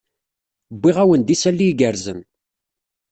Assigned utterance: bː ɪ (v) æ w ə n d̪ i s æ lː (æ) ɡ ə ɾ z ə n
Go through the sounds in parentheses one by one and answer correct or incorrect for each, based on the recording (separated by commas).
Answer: incorrect, incorrect